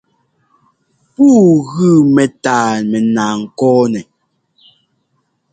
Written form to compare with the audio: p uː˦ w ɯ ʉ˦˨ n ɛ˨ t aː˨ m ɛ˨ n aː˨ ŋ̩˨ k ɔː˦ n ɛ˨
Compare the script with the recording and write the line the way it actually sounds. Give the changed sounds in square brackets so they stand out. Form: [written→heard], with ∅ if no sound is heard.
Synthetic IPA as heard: p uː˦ [w→ɣ] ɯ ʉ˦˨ [n→m] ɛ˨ t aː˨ m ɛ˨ n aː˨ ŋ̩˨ k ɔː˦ n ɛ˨